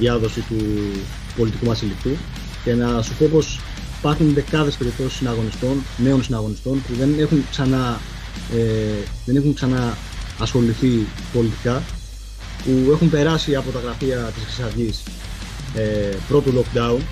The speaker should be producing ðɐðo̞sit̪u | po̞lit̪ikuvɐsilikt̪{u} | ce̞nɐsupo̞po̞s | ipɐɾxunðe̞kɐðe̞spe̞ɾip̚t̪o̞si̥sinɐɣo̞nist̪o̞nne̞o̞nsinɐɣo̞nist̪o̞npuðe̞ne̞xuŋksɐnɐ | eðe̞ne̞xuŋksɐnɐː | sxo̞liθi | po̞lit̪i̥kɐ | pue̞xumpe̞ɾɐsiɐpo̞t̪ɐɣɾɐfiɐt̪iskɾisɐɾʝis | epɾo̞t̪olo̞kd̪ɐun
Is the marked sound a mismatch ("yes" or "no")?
no